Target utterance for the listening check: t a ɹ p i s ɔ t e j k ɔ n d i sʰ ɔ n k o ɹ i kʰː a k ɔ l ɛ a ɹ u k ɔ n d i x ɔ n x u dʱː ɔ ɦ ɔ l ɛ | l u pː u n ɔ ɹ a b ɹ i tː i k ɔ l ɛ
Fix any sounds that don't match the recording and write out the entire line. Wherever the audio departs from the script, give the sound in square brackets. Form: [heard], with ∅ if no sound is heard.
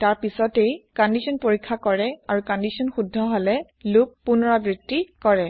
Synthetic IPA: t a ɹ p i s ɔ t e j k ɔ n d i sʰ ɔ n [p] o ɹ i kʰː a k ɔ [ɹ] ɛ a ɹ u k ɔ n d i [s] ɔ n x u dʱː ɔ ɦ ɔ l ɛ | l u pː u n ɔ ɹ a b ɹ i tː i k ɔ [ɹ] ɛ